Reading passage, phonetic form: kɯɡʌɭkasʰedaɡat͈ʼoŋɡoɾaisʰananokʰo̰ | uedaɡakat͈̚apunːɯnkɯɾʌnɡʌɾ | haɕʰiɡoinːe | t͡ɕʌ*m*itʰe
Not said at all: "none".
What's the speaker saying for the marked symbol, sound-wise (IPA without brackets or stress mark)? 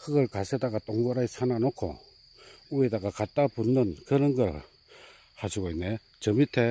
m